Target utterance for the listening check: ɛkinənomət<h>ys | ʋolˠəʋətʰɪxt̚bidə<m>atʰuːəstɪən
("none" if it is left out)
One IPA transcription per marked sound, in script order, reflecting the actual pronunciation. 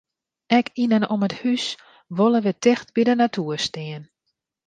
h, n

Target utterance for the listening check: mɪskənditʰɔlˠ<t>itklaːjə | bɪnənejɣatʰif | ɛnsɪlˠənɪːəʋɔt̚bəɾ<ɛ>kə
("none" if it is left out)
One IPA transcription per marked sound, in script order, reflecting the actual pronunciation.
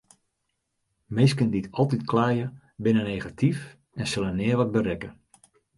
t, ɛ

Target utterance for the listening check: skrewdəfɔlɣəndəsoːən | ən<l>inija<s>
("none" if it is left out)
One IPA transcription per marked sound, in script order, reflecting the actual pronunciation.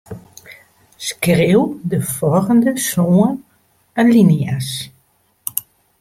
l, s

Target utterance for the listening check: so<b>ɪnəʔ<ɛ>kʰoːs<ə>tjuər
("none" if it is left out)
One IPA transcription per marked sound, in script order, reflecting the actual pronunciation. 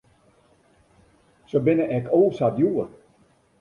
b, ɛ, a

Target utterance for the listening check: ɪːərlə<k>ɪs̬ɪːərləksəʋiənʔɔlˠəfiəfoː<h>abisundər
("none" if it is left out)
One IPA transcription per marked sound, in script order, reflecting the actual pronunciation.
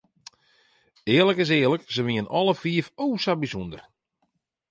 k, s

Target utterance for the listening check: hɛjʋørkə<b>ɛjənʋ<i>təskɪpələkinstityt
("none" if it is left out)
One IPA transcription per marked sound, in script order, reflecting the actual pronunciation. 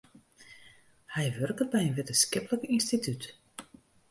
b, ɪ

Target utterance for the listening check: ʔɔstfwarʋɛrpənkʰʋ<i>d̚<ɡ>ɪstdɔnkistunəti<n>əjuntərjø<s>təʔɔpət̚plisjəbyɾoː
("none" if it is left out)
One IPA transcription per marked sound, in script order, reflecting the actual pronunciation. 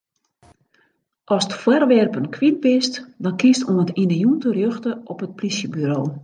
i, b, n, x

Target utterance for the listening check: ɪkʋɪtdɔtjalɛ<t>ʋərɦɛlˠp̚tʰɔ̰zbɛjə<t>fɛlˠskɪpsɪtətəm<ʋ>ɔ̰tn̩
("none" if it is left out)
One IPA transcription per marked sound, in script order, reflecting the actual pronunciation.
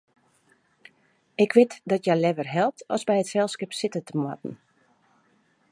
none, t, w

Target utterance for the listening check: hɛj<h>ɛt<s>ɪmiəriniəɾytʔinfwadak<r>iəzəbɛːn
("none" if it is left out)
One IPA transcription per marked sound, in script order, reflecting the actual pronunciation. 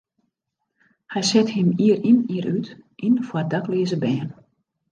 s, h, l

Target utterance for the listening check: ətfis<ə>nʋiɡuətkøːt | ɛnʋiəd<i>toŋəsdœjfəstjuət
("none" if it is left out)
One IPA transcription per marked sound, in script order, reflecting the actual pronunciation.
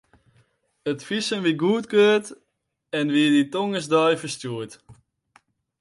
ə, i

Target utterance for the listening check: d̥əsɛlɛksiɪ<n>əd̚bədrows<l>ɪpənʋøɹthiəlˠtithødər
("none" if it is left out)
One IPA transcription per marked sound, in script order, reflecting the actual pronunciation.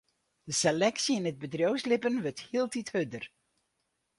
n, l

